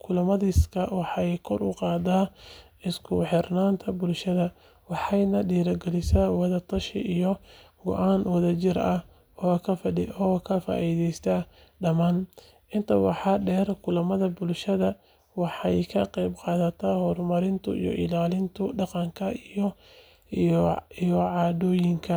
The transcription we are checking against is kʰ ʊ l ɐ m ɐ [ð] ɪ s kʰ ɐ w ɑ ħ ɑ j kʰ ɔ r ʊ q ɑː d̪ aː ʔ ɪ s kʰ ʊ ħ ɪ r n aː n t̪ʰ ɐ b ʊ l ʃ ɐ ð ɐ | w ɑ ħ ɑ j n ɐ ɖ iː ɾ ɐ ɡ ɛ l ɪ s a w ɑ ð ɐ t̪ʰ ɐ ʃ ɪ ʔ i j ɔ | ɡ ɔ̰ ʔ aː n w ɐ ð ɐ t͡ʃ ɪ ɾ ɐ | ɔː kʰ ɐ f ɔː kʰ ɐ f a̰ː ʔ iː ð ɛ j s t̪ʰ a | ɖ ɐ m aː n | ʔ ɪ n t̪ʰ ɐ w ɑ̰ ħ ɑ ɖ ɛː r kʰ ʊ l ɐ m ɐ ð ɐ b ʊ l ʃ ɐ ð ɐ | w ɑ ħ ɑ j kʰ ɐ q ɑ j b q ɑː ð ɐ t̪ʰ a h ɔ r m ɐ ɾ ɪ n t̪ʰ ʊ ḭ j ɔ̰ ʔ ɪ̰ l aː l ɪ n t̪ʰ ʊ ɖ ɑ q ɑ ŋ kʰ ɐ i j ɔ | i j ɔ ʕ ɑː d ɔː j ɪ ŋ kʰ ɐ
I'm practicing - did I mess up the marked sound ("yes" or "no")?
no